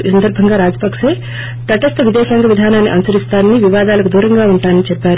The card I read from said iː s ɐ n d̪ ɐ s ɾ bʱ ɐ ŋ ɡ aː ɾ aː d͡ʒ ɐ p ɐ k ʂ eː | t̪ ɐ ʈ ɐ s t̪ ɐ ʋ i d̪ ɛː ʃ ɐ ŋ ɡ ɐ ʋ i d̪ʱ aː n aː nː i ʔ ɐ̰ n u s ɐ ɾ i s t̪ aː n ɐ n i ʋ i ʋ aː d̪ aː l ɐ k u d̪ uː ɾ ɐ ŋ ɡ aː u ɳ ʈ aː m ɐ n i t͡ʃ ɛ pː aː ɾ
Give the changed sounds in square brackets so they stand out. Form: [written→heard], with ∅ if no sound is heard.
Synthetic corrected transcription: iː s ɐ n d̪ ɐ [s→∅] ɾ bʱ ɐ ŋ ɡ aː ɾ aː d͡ʒ ɐ p ɐ k ʂ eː | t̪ ɐ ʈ ɐ s t̪ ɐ ʋ i d̪ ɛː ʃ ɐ ŋ ɡ ɐ ʋ i d̪ʱ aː n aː nː i ʔ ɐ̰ n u s ɐ ɾ i s t̪ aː n ɐ n i ʋ i ʋ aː d̪ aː l ɐ k u d̪ uː ɾ ɐ ŋ ɡ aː u ɳ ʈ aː [m→n] ɐ n i t͡ʃ ɛ pː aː ɾ

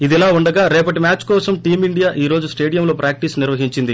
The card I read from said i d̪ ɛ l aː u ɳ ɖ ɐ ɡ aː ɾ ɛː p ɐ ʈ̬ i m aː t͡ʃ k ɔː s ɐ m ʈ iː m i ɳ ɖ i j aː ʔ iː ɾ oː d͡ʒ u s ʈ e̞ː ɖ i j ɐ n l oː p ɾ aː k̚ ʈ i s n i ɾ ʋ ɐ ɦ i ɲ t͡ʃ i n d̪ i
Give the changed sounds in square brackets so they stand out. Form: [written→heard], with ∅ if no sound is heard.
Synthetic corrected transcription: i d̪ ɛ l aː u ɳ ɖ ɐ ɡ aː ɾ ɛː p ɐ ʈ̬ i m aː t͡ʃ k ɔː s ɐ m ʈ iː m i ɳ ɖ i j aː ʔ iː ɾ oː d͡ʒ u s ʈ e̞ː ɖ i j ɐ [n→m] l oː p ɾ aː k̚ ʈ i s n i ɾ ʋ ɐ ɦ i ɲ t͡ʃ i n d̪ i

